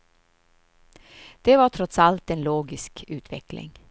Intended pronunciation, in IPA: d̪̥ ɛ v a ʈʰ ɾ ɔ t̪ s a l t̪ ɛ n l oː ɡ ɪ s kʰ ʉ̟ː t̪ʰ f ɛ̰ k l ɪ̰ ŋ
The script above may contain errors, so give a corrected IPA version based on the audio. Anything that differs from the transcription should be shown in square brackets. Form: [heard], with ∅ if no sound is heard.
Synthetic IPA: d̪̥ ɛ v a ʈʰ ɾ ɔ t̪ s a l t̪ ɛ n l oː ɡ ɪ s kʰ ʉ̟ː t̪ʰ [v] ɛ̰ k l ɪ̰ ŋ